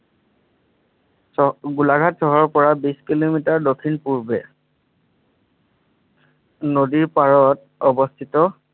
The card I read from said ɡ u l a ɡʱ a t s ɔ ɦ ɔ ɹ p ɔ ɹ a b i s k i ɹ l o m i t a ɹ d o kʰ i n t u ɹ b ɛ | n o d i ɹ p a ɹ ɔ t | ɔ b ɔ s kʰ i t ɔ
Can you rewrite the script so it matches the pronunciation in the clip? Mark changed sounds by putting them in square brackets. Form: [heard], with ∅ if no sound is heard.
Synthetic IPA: ɡ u l a ɡʱ a t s ɔ ɦ ɔ ɹ p ɔ ɹ a b i s k i [∅] l o m i t a ɹ d o kʰ i n [p] u ɹ b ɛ | n o d i ɹ p a ɹ ɔ t | ɔ b ɔ s [tʰ] i t ɔ

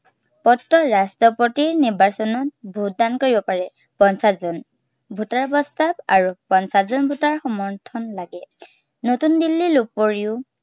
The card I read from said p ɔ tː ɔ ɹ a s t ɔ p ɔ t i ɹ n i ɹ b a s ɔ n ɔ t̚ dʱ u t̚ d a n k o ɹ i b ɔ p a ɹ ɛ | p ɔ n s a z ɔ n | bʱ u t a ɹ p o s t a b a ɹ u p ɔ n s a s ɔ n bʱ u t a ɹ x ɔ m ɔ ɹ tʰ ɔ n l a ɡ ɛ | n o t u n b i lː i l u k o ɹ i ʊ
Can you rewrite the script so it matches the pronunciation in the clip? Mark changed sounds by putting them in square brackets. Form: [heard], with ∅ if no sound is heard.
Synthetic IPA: p ɔ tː ɔ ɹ a s t ɔ p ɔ t i ɹ n i ɹ b a s ɔ n ɔ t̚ [bʱ] u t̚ d a n k o ɹ i b ɔ p a ɹ ɛ | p ɔ n s a z ɔ n | bʱ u t a ɹ p [ɔ] s t a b a ɹ u p ɔ n s a [z] ɔ n bʱ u t a ɹ x ɔ m ɔ ɹ tʰ ɔ n l a ɡ ɛ | n o t u n [d] i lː i l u [p] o ɹ i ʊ

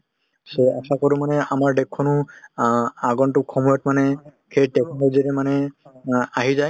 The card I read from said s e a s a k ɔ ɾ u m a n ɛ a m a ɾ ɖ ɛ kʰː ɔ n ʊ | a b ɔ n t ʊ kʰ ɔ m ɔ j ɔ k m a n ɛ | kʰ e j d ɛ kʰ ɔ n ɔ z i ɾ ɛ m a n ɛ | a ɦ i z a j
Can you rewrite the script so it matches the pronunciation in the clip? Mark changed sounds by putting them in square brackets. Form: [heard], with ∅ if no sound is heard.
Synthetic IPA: s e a s a k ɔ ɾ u m a n ɛ a m a [ɹ] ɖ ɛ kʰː ɔ n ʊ | a [ɡ] ɔ n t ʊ kʰ ɔ m ɔ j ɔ [t] m a n ɛ | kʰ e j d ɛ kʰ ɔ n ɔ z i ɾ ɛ m a n ɛ | a ɦ i z a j

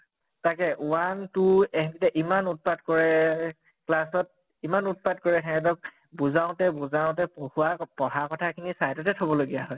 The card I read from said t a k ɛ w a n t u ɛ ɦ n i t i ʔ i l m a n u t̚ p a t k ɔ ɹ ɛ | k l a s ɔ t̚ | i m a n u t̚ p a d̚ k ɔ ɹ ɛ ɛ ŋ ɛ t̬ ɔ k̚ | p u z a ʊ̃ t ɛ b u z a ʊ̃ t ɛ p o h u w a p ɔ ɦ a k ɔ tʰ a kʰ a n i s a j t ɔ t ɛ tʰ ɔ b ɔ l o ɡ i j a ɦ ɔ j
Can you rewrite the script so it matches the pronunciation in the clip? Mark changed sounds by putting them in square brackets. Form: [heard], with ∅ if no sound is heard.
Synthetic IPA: t a k ɛ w a n t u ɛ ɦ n i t [ɛ] ʔ i [∅] m a n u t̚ p a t k ɔ ɹ ɛ | k l a s ɔ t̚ | i m a n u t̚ p a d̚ k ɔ ɹ ɛ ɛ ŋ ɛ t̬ ɔ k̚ | [b] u z a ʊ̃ t ɛ b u z a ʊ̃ t ɛ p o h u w a p ɔ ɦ a k ɔ tʰ a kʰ [i] n i s a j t ɔ t ɛ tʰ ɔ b ɔ l o ɡ i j a ɦ ɔ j

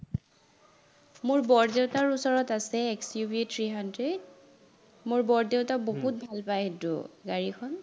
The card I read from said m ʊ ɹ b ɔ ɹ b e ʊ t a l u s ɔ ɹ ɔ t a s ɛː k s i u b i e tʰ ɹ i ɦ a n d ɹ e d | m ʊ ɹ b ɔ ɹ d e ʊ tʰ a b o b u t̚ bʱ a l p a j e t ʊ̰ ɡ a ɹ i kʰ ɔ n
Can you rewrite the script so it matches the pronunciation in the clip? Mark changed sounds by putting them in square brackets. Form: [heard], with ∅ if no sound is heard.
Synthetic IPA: m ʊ ɹ b ɔ ɹ [d] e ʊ t a [ɹ] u s ɔ ɹ ɔ t a s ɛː k s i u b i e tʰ ɹ i ɦ a n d ɹ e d | m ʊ ɹ b ɔ ɹ d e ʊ [t] a b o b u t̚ bʱ a l p a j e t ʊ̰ ɡ a ɹ i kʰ ɔ n

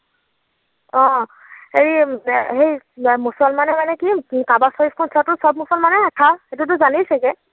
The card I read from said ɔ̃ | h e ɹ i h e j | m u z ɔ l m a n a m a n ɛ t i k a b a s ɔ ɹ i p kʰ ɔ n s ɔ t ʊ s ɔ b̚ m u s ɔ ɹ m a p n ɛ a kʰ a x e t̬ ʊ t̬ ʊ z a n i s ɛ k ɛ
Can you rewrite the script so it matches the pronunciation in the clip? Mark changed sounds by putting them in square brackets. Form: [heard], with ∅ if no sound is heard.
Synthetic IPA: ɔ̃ | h e ɹ i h e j | m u [s] ɔ l m a n [ɛ] m a n ɛ [k] i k a b a s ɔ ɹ i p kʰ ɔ n s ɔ t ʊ s ɔ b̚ m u s ɔ [l] m a [∅] n ɛ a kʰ a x e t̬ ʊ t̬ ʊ z a n i s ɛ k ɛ

